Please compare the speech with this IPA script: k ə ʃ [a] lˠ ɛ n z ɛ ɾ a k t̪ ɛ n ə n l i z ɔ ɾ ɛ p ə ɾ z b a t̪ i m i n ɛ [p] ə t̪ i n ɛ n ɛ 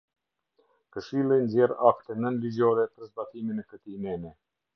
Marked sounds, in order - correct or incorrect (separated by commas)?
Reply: incorrect, incorrect